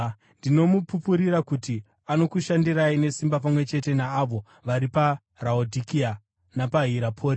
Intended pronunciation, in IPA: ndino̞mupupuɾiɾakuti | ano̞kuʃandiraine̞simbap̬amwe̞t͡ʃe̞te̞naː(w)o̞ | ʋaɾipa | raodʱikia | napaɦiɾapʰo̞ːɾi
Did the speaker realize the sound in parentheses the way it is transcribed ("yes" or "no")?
no